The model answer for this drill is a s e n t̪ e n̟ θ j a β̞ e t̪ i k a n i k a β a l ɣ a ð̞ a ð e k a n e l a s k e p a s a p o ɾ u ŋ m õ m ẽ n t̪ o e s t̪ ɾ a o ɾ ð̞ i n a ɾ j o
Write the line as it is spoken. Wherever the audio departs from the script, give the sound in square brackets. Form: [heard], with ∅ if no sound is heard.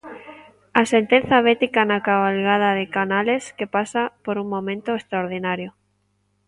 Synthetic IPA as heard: a s e n t̪ e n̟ θ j a β̞ e t̪ i k a n [a] k a β a l ɣ a ð̞ a ð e k a n [a] l [e] s k e p a s a p o ɾ u ŋ m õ m ẽ n t̪ o e s t̪ ɾ a o ɾ ð̞ i n a ɾ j o